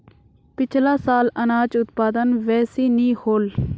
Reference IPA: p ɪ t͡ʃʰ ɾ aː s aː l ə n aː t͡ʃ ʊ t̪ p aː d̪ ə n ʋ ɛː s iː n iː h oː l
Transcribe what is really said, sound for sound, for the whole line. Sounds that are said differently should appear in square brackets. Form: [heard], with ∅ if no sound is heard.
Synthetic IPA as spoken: p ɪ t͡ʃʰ [l] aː s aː l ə n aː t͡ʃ ʊ t̪ p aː d̪ ə n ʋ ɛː s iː n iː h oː l